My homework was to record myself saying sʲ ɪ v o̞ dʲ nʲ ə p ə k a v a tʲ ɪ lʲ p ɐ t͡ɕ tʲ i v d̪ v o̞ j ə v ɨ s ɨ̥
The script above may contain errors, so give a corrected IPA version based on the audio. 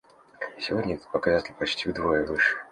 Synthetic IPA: sʲ ɪ v o̞ dʲ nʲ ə p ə k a z a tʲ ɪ lʲ p ɐ t͡ɕ tʲ i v d̪ v o̞ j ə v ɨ ʂ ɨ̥